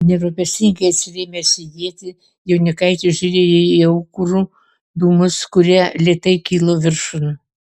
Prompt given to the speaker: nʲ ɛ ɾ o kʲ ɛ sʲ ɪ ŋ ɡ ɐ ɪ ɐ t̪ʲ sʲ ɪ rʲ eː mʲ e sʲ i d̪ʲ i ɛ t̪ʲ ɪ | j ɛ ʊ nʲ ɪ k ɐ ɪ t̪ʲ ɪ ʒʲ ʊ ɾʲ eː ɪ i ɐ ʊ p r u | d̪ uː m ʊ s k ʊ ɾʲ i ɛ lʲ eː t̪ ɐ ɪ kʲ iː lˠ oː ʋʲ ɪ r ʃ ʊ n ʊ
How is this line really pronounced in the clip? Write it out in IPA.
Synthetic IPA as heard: nʲ ɛ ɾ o pʲ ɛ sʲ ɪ ŋ ɡ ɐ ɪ ɐ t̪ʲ sʲ ɪ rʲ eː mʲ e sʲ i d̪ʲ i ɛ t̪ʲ ɪ | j ɛ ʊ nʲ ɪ k ɐ ɪ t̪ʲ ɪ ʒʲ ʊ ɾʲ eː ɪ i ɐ ʊ k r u | d̪ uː m ʊ s k ʊ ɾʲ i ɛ lʲ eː t̪ ɐ ɪ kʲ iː lˠ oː ʋʲ ɪ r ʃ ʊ n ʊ